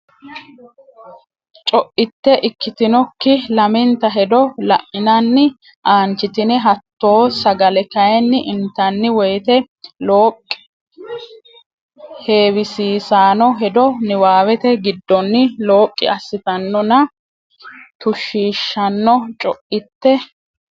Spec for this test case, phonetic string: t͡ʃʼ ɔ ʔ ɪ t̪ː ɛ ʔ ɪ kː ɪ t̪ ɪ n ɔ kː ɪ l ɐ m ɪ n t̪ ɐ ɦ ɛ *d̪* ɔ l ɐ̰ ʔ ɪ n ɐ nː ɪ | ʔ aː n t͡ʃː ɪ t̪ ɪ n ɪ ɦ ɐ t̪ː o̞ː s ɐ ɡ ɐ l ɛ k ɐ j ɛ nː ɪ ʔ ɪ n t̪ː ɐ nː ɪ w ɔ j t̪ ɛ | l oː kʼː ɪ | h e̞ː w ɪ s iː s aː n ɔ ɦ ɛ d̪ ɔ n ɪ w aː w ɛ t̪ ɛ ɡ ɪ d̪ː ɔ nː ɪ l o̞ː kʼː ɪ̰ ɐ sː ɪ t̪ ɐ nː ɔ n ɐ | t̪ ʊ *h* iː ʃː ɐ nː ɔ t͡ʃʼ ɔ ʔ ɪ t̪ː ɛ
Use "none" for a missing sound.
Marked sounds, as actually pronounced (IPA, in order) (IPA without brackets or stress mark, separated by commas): d̪, ʃ